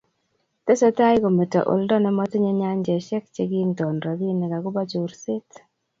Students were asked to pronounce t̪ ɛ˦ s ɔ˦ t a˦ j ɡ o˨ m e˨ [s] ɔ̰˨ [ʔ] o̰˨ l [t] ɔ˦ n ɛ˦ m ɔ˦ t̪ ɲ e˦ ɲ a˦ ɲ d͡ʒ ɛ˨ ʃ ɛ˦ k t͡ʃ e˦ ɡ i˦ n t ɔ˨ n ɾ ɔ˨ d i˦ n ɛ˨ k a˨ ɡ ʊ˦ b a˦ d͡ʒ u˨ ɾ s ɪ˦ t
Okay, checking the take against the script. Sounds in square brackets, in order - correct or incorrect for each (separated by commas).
incorrect, correct, incorrect